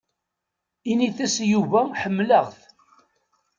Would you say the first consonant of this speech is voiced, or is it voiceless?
voiced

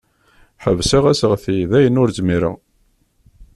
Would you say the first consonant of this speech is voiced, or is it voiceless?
voiceless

